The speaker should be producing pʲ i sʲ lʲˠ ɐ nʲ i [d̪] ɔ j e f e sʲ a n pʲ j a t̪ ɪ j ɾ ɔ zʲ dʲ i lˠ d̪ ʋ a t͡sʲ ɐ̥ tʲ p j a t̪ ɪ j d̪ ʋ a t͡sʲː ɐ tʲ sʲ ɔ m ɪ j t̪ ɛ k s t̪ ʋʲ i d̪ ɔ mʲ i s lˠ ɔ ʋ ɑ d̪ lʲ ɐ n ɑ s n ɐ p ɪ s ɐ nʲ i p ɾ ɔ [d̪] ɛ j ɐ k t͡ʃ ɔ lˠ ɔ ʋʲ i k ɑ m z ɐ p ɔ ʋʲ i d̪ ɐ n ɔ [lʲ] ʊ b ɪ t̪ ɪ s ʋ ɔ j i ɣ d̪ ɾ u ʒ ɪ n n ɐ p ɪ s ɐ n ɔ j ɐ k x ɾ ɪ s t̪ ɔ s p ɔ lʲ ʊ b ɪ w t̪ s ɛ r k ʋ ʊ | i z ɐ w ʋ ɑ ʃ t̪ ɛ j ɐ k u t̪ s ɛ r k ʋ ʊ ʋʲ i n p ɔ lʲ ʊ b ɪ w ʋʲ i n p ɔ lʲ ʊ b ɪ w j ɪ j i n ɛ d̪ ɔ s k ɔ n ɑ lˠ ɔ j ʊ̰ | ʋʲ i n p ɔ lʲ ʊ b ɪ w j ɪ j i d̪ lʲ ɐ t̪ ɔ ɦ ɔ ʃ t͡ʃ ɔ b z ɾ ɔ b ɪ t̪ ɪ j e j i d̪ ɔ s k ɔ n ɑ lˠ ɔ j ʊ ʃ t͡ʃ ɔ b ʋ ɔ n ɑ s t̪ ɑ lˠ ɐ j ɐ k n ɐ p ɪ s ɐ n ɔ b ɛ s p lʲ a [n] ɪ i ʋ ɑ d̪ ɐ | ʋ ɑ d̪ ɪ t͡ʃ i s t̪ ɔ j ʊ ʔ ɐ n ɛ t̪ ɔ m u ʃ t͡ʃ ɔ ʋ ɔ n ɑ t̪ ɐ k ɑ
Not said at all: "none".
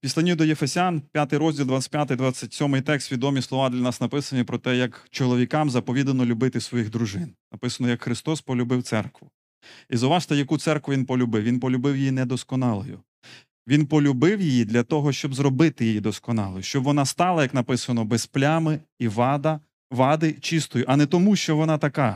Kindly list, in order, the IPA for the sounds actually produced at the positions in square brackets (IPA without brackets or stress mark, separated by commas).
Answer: d̪, t̪, lʲ, m